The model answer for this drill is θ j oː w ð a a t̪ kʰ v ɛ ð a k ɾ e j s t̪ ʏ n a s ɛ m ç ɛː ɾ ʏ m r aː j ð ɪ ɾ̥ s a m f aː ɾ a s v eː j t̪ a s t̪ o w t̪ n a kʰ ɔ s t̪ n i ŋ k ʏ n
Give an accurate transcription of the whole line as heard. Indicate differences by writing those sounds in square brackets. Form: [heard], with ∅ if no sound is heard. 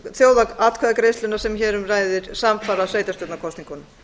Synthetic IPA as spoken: θ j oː w ð a a t̪ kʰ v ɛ ð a k ɾ e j s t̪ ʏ n a s ɛ m ç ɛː ɾ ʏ m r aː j ð ɪ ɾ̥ s a m f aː ɾ a s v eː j t̪ a s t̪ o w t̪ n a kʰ ɔ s t̪ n i ŋ k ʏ n